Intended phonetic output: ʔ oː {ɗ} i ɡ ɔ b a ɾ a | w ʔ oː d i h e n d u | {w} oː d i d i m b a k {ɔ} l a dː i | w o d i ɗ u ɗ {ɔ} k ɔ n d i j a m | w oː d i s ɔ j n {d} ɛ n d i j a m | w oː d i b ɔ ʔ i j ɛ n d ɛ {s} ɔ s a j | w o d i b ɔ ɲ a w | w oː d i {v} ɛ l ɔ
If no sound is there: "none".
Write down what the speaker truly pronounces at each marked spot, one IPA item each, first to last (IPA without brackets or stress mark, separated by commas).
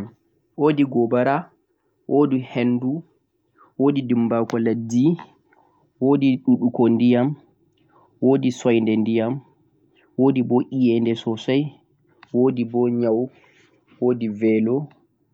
d, w, ɔ, u, d, s, v